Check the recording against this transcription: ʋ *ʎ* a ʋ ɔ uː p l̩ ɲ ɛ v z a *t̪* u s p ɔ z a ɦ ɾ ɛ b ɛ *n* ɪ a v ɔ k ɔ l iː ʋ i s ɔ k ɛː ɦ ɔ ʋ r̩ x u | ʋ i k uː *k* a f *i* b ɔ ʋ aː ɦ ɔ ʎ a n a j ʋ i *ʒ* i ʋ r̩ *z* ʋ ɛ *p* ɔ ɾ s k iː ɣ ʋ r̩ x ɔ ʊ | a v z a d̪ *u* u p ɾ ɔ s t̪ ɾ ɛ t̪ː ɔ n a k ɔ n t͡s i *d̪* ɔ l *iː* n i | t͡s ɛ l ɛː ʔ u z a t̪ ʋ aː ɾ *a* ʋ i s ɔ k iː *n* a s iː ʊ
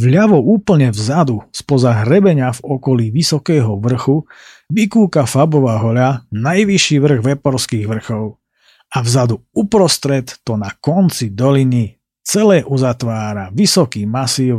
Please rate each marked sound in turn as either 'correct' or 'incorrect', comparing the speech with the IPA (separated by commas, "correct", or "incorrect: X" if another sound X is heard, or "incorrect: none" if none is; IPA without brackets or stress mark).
correct, incorrect: d̪, incorrect: ɲ, correct, incorrect: a, incorrect: ʃ, incorrect: ɣ, correct, correct, correct, incorrect: i, correct, incorrect: m